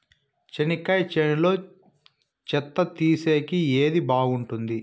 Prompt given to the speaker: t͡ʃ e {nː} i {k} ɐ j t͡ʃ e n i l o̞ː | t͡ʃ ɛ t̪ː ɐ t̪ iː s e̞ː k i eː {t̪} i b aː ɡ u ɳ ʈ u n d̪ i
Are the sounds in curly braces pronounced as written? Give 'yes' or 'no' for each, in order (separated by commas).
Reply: no, yes, no